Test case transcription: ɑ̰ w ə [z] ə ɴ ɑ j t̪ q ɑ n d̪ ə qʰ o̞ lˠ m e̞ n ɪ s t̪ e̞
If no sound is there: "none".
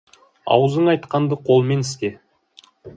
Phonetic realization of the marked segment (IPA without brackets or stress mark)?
z